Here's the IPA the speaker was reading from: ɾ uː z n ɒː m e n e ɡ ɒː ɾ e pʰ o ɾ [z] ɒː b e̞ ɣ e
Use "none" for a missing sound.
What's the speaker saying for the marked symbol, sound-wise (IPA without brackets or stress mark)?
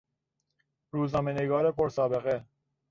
s